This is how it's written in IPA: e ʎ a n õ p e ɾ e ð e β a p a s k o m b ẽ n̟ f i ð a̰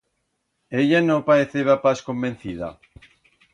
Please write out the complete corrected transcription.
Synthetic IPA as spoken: e ʎ a n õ p a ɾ e θ e β a p a s k o m b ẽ n̟ θ i ð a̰